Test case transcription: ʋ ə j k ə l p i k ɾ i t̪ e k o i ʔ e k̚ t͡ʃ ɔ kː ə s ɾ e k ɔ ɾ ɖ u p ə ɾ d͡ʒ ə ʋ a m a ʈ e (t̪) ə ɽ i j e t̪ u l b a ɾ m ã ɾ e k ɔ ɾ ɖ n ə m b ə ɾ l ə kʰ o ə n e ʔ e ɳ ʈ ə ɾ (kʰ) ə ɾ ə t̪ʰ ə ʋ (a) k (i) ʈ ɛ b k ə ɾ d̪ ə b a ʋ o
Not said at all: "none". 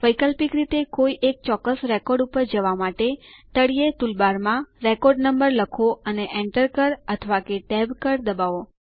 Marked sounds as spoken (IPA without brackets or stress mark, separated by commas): t̪, k, a, e